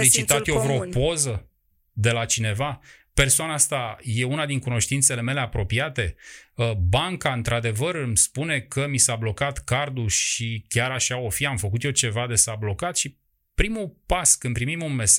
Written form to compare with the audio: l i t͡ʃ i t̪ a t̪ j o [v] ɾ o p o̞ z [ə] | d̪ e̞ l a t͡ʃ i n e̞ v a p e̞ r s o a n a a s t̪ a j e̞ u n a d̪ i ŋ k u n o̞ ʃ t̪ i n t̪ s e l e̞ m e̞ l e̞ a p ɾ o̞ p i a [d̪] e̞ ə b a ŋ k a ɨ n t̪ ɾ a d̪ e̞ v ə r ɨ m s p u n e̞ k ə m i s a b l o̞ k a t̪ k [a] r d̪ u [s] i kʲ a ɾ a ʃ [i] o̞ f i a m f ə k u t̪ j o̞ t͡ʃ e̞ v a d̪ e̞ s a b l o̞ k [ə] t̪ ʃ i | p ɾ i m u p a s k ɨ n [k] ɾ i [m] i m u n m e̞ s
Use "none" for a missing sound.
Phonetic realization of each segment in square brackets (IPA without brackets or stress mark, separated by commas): v, ə, t̪, a, ʃ, a, a, p, m